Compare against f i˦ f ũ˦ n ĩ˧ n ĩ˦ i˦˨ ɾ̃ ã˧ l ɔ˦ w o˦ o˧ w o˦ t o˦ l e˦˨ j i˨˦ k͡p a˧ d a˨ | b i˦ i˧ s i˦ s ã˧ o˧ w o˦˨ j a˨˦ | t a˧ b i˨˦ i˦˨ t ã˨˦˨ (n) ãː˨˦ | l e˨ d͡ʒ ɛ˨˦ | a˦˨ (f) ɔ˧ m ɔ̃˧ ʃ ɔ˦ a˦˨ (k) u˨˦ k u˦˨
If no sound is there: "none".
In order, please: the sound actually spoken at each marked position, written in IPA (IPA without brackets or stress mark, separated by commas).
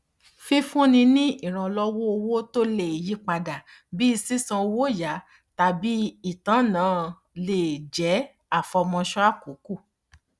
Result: n, f, k